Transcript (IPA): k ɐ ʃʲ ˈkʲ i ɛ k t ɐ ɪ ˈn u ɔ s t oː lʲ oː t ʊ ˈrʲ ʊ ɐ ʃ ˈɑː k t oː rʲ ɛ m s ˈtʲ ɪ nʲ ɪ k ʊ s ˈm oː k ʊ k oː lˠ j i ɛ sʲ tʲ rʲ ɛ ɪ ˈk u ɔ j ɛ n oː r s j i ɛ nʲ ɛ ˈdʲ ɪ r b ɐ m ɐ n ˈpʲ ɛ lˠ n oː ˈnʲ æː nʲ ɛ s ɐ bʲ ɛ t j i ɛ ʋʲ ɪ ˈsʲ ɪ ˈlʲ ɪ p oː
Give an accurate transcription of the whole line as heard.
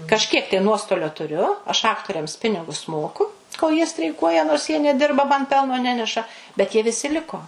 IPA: k ɐ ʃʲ ˈkʲ i ɛ k t ɐ ɪ ˈn u ɔ s t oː lʲ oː t ʊ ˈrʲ ʊ ɐ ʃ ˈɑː k t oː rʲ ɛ m s ˈpʲ ɪ nʲ ɪ ɡ ʊ s ˈm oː k ʊ k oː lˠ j i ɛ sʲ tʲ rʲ ɛ ɪ ˈk u ɔ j ɛ n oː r s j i ɛ nʲ ɛ ˈdʲ ɪ r b ɐ m ɐ n ˈpʲ ɛ lˠ n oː ˈnʲ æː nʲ ɛ ʃ ɐ bʲ ɛ t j i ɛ ʋʲ ɪ ˈsʲ ɪ ˈlʲ ɪ k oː